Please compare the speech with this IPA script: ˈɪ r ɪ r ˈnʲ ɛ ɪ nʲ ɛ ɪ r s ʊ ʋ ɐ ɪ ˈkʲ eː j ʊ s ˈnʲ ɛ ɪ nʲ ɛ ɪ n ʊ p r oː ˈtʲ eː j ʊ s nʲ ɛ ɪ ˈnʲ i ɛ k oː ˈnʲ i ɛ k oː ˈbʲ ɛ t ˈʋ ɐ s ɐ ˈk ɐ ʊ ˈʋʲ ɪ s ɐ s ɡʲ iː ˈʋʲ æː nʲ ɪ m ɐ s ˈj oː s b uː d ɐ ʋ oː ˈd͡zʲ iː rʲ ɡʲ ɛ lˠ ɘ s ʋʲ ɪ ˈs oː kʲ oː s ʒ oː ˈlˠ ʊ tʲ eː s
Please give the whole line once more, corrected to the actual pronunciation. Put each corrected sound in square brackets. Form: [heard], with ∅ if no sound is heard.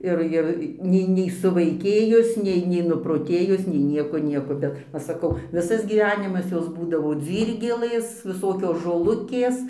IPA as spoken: ˈɪ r ɪ r ˈnʲ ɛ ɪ nʲ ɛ ɪ [∅] s ʊ ʋ ɐ ɪ ˈkʲ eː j ʊ s ˈnʲ ɛ ɪ nʲ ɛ ɪ n ʊ p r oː ˈtʲ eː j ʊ s nʲ ɛ ɪ ˈnʲ i ɛ k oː ˈnʲ i ɛ k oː ˈbʲ ɛ t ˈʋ ɐ s ɐ ˈk ɐ ʊ ˈʋʲ ɪ s ɐ s ɡʲ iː ˈʋʲ æː nʲ ɪ m ɐ s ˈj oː s b uː d ɐ ʋ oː ˈd͡zʲ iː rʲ ɡʲ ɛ lˠ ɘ s ʋʲ ɪ ˈs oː kʲ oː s ʒ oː ˈlˠ ʊ [kʲ] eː s